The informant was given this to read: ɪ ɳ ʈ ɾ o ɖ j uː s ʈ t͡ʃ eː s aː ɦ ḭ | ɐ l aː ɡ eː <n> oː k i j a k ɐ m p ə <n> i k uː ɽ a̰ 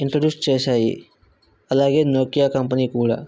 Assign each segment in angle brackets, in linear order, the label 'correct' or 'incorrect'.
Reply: correct, correct

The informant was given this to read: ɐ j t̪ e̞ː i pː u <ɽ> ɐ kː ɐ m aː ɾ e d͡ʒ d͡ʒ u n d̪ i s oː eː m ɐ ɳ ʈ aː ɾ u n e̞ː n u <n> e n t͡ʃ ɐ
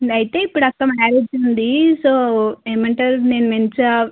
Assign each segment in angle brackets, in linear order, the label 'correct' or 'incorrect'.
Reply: correct, incorrect: m

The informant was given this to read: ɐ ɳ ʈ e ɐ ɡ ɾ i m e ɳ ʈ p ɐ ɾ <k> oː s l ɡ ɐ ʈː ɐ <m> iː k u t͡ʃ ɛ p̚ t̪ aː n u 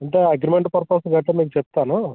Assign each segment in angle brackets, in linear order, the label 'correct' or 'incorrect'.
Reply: incorrect: p, correct

